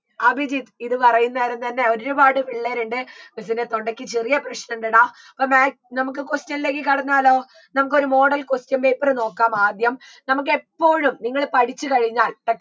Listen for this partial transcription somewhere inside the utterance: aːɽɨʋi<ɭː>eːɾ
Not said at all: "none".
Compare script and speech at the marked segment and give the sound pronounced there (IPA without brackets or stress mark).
ɭː